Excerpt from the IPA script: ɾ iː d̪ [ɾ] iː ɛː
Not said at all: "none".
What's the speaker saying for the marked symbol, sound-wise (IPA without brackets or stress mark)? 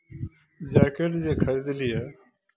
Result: l